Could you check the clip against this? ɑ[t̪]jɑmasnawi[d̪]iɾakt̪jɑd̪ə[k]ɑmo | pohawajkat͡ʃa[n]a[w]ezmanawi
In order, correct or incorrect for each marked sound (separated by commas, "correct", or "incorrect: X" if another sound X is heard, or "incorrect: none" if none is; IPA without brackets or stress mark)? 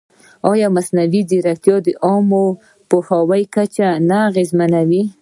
incorrect: none, correct, incorrect: ʔ, correct, incorrect: ɣ